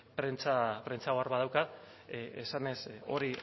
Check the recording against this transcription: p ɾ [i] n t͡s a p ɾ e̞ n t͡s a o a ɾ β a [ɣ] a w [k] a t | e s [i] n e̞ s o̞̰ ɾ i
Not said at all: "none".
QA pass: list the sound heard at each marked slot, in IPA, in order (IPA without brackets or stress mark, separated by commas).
e, ð, k, a